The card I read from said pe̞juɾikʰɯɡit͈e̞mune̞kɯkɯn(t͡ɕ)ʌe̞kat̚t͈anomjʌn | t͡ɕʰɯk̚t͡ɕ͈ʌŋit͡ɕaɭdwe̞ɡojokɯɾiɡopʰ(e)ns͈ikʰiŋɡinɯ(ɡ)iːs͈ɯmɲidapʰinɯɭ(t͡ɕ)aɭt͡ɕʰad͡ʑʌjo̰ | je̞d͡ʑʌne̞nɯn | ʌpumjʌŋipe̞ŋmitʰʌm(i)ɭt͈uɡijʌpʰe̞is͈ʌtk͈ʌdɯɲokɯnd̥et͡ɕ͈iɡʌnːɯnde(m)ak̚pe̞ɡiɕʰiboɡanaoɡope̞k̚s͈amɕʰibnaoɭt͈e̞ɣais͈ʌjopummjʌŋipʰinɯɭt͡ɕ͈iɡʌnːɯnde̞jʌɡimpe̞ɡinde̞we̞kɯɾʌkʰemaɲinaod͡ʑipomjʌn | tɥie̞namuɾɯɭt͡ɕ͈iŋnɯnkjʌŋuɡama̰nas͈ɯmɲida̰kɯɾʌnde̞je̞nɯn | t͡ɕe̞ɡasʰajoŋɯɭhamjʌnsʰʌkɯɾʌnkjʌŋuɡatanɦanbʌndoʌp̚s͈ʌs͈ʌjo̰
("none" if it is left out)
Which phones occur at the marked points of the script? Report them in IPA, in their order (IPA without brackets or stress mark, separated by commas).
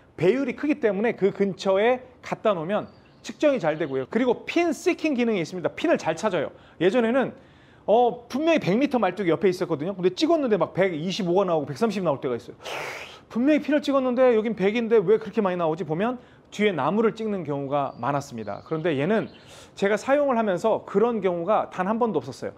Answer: t͡ɕʰ, i, ŋ, t͡ɕ, a, m